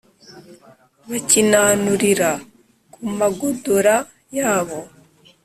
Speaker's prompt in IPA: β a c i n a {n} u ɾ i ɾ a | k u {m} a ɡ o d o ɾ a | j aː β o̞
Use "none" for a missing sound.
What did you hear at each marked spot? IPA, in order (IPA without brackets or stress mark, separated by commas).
n, m